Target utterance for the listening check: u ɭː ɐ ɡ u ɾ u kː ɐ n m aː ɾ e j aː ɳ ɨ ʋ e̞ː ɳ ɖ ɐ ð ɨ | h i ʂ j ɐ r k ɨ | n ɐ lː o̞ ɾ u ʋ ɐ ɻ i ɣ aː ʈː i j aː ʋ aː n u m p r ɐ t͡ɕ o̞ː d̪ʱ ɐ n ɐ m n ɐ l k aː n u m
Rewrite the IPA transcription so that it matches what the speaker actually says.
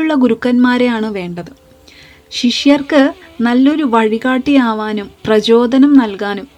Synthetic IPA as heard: u ɭː ɐ ɡ u ɾ u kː ɐ n m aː ɾ e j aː ɳ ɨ ʋ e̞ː ɳ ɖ ɐ ð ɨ | ɕ i ʂ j ɐ r k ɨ | n ɐ lː o̞ ɾ u ʋ ɐ ɻ i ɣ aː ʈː i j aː ʋ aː n u m p r ɐ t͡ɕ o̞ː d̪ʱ ɐ n ɐ m n ɐ l k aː n u m